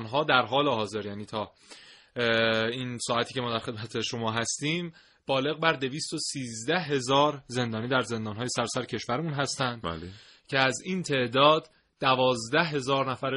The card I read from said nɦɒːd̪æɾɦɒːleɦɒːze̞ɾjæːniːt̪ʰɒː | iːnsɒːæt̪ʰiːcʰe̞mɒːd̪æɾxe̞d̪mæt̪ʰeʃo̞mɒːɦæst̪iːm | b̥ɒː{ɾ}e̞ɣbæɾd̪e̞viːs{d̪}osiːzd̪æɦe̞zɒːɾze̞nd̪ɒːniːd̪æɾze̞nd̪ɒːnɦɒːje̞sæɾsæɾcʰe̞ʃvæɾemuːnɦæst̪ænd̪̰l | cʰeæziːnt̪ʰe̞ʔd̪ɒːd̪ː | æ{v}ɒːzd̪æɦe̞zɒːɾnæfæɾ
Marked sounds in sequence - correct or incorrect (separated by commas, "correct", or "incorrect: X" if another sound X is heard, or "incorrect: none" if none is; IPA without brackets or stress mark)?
incorrect: l, incorrect: t̪, correct